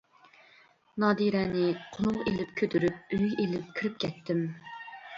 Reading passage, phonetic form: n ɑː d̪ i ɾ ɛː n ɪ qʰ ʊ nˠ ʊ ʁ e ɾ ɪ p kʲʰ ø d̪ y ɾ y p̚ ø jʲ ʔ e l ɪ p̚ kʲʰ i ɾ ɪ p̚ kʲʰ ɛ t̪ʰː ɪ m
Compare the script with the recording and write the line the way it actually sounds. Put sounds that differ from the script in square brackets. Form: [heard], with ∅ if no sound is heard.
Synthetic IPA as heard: n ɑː d̪ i ɾ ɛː n ɪ qʰ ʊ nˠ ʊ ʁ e [l] ɪ p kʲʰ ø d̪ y ɾ y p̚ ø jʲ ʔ e l ɪ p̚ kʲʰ i ɾ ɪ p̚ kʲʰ ɛ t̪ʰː ɪ m